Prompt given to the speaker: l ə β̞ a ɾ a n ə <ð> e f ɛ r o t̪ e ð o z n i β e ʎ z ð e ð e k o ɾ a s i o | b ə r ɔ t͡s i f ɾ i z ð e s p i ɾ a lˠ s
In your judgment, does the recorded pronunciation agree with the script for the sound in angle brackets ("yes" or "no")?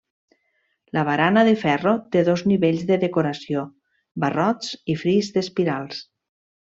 yes